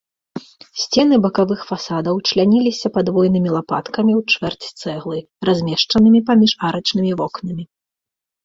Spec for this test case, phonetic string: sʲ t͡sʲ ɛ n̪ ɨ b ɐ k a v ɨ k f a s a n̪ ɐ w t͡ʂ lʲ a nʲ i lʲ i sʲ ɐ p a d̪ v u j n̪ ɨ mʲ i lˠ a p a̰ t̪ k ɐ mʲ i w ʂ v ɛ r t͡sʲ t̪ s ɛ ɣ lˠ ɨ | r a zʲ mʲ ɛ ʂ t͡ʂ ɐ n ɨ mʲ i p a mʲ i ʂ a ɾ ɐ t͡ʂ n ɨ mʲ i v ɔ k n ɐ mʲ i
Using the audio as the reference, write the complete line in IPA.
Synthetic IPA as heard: sʲ t͡sʲ ɛ n̪ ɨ b ɐ k a v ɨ x f a s a d̪ ɐ w t͡ʂ lʲ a nʲ i lʲ i sʲ ɐ p a d̪ v ɔ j n̪ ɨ mʲ i lˠ a p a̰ t̪ k ɐ mʲ i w t͡ʂ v ɛ r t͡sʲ t̪ s ɛ ɣ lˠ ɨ | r a zʲ mʲ ɛ ʂ t͡ʂ ɐ n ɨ mʲ i p a mʲ i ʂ a ɾ ɐ t͡ʂ n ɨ mʲ i v ɔ k n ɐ mʲ i